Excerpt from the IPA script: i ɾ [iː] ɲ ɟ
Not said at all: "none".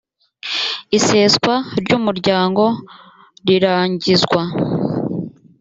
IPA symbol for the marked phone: aː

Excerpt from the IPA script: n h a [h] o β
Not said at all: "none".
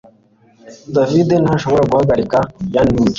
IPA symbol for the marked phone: ʃ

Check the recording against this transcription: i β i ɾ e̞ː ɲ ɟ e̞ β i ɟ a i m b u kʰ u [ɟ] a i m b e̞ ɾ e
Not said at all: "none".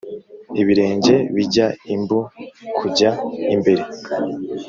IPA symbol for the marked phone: ɟ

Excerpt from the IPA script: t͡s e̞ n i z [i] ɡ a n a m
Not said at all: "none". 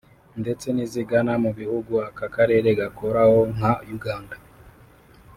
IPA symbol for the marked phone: i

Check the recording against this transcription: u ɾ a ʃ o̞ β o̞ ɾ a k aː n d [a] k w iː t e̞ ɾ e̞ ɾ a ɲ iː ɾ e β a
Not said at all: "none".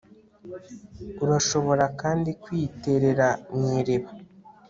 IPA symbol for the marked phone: i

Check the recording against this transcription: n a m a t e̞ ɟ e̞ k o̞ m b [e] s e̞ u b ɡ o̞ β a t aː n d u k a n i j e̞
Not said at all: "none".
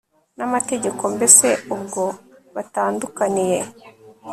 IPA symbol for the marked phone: e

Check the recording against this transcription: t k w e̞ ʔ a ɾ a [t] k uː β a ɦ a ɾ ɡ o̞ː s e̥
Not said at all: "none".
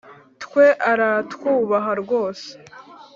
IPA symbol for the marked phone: t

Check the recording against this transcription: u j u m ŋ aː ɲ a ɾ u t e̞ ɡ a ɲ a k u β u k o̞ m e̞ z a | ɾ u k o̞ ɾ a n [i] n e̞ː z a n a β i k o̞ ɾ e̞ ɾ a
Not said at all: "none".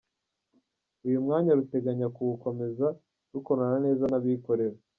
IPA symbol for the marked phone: a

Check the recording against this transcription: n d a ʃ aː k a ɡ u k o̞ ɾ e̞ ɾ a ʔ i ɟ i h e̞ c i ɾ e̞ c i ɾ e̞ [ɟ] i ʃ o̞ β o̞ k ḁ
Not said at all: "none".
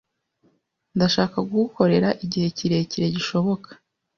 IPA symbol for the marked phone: ɟ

